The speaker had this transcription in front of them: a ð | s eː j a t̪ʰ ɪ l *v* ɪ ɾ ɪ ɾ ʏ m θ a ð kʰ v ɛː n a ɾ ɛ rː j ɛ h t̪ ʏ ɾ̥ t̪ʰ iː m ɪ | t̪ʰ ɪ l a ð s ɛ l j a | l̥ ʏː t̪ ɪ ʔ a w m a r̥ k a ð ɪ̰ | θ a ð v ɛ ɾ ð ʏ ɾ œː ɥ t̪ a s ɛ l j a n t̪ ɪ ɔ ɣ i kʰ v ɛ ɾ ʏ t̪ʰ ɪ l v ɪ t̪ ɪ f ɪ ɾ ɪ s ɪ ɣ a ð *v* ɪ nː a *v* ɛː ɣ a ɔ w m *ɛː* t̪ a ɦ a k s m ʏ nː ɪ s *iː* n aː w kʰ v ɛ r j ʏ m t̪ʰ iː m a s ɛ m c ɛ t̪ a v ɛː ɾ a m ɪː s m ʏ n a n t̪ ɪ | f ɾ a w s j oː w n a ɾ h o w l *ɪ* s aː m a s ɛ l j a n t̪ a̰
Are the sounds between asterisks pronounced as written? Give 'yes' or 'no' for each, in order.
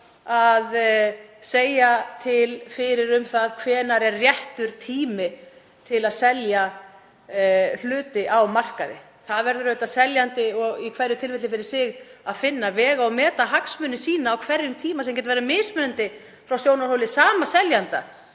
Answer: no, no, yes, yes, yes, yes

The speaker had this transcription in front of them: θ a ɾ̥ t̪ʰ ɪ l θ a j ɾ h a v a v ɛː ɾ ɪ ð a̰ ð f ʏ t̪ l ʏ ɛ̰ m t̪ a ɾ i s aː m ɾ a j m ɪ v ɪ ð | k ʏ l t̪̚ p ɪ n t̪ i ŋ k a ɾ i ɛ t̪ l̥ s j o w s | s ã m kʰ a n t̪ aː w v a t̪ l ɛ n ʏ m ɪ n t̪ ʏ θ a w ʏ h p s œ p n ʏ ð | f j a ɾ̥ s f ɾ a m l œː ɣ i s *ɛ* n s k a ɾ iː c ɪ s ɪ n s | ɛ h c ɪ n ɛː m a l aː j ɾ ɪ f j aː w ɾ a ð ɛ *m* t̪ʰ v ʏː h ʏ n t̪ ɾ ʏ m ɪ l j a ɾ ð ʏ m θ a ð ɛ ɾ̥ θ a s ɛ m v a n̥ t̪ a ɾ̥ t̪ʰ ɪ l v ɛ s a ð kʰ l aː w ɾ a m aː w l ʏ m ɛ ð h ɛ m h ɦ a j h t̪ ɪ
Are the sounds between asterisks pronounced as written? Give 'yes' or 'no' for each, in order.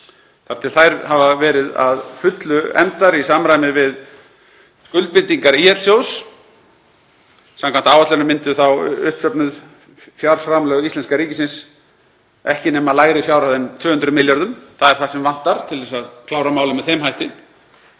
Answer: yes, no

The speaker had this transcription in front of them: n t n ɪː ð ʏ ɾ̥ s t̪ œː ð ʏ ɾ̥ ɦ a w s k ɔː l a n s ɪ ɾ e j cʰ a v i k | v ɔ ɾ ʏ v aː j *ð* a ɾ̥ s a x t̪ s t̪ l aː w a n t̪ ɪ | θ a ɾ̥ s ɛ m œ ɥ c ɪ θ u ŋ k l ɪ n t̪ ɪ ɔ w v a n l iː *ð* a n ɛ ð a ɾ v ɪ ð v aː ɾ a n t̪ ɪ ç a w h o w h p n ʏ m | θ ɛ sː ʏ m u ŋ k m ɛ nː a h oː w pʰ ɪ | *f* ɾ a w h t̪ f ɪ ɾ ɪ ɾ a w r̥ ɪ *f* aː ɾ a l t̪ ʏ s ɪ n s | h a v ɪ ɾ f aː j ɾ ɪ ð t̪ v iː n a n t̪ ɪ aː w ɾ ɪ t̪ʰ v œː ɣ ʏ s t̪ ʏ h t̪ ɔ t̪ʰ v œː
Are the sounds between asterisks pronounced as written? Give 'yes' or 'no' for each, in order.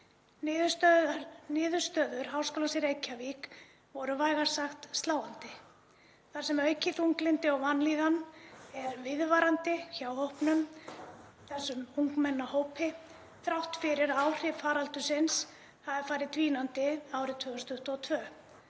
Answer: no, yes, no, yes

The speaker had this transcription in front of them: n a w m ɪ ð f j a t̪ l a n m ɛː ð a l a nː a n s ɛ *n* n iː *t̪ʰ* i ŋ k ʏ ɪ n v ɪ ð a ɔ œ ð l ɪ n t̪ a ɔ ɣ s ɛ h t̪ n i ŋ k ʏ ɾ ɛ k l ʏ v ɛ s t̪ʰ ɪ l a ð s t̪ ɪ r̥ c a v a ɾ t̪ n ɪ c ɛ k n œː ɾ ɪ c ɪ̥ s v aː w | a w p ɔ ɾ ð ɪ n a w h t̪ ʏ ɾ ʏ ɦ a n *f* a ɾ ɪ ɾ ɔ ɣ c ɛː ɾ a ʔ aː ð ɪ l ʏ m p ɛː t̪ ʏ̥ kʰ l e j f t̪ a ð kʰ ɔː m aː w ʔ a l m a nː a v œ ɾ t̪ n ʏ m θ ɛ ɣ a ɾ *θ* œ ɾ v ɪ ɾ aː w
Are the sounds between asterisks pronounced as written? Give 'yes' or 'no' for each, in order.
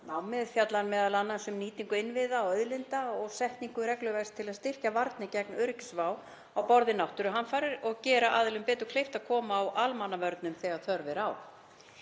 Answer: no, no, yes, yes

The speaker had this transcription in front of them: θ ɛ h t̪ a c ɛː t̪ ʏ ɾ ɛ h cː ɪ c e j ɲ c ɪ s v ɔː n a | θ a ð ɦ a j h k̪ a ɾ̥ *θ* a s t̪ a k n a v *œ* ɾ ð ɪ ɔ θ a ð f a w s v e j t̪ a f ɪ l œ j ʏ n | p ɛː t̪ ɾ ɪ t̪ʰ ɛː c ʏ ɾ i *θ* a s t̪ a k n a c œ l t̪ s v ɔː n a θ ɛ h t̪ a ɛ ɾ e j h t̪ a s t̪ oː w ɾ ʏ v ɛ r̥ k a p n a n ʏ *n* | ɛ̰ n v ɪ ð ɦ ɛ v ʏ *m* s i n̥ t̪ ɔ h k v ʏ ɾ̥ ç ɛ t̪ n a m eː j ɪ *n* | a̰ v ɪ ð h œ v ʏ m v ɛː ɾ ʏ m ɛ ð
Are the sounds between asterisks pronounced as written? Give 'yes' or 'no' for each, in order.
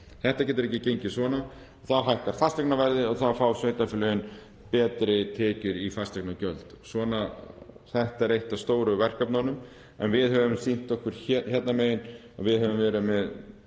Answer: no, no, no, no, yes, yes

